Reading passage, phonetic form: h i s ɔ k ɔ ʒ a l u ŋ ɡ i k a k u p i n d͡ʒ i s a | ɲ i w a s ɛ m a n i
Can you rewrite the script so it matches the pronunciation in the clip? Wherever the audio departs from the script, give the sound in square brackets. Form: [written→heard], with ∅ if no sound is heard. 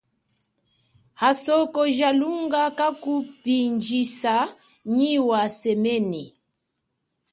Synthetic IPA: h [i→a] s ɔ k ɔ ʒ a l u ŋ ɡ [i→a] k a k u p i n d͡ʒ i s a | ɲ i w a s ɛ m [a→ɛ] n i